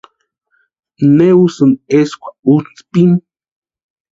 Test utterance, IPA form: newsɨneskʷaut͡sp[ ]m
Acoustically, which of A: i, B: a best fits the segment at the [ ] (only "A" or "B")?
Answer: A